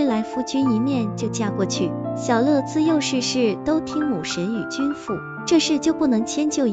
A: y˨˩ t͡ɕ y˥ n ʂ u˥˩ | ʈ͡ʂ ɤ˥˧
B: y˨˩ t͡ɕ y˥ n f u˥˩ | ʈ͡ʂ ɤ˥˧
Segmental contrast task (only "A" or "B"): B